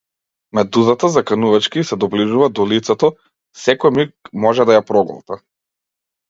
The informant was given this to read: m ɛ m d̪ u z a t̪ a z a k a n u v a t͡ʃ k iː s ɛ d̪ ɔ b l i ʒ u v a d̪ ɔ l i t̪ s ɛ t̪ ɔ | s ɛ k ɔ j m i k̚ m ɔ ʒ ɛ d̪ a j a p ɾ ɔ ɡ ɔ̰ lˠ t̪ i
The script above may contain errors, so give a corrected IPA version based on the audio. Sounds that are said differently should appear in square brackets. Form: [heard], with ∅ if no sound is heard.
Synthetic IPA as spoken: m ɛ [∅] d̪ u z a t̪ a z a k a n u v a t͡ʃ k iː s ɛ d̪ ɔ b l i ʒ u v a d̪ ɔ l i t̪ s ɛ t̪ ɔ | s ɛ k ɔ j m i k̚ m ɔ ʒ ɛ d̪ a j a p ɾ ɔ ɡ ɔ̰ lˠ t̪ [a]